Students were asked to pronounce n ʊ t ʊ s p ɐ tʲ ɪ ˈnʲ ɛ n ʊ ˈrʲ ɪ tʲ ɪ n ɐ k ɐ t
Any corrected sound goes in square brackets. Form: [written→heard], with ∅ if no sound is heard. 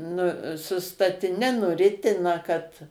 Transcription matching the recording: n ʊ [t→s] ʊ s [p→t] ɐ tʲ ɪ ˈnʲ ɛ n ʊ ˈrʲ ɪ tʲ ɪ n ɐ k ɐ t